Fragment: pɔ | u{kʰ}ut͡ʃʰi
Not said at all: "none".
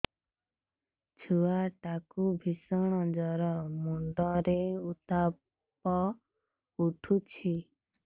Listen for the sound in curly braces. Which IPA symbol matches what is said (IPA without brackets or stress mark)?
ʈʰ